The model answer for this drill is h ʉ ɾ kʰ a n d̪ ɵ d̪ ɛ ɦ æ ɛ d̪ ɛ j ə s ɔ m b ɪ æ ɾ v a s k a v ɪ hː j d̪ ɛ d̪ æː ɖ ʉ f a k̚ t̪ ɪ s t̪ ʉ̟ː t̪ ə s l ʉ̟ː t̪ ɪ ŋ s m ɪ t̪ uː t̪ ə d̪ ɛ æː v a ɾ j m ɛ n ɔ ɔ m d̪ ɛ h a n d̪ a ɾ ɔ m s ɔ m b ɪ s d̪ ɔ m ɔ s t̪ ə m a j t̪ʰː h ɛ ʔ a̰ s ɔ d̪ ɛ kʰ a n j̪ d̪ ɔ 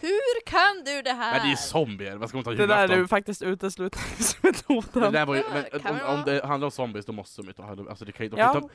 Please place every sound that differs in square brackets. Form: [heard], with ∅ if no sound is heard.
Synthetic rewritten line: h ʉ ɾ kʰ a n d̪ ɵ d̪ ɛ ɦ æ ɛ d̪ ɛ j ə s ɔ m b ɪ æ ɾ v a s k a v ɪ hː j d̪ ɛ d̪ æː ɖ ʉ f a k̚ t̪ ɪ s t̪ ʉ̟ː t̪ ə s l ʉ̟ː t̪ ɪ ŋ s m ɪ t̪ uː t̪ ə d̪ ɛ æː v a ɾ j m ɛ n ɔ ɔ m d̪ ɛ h a n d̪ a ɾ ɔ m s ɔ m b ɪ s d̪ ɔ m ɔ s t̪ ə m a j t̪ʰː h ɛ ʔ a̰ s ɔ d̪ ɛ kʰ a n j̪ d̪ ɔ